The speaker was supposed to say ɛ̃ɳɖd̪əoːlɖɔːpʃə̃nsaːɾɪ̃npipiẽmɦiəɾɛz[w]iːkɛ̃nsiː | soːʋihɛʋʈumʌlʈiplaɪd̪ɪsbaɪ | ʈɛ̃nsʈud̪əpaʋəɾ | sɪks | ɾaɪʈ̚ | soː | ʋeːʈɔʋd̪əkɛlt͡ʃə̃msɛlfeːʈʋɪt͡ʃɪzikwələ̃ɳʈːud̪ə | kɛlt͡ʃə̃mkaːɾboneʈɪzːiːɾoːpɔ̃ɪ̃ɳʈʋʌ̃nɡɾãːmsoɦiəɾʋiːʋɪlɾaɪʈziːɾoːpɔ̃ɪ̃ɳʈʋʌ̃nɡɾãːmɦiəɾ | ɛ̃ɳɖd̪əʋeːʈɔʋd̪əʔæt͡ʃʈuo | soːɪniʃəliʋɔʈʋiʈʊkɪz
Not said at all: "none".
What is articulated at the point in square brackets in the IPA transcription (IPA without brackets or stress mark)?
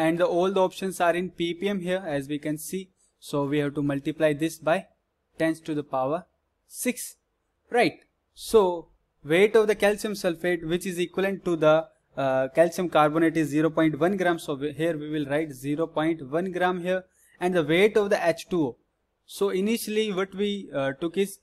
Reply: ʋ